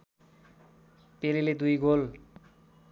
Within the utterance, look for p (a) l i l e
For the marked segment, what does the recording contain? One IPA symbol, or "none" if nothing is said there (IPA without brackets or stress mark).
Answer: e